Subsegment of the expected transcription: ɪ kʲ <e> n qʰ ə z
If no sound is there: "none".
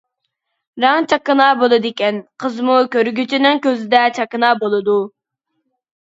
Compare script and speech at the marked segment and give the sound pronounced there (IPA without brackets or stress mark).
ɛ